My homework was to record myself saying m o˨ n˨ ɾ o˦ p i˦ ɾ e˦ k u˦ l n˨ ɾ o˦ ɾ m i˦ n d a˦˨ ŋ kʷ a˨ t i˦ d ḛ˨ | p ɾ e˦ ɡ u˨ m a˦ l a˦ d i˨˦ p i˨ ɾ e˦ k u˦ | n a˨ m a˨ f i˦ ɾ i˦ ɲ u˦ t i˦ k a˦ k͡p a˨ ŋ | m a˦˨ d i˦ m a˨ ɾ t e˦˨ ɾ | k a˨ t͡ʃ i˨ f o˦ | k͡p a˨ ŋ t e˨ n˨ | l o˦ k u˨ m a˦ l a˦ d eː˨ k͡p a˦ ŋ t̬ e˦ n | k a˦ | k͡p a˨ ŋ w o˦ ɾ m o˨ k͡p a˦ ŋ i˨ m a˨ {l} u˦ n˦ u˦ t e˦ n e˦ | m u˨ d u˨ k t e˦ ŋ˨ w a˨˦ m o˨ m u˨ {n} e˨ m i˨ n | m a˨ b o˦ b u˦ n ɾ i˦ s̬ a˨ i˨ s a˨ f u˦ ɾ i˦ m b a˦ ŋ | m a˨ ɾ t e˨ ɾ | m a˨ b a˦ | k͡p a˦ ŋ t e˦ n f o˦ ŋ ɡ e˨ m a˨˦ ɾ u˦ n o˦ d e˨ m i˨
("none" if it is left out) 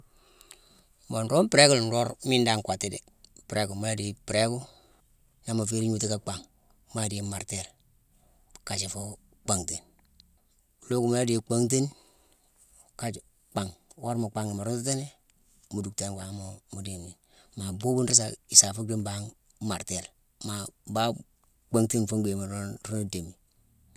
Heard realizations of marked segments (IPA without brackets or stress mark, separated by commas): ɾ, d